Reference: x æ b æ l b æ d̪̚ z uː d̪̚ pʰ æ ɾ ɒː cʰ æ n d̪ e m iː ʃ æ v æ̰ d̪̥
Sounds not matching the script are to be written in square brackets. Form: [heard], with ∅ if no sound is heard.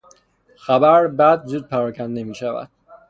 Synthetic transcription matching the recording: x æ b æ [ɾ] b æ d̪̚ z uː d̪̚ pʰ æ ɾ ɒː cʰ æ n d̪ e m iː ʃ æ v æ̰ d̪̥